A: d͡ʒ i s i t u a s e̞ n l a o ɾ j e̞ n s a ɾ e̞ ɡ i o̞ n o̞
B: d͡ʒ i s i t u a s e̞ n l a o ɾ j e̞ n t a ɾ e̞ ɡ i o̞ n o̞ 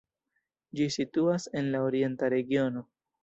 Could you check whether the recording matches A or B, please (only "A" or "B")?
B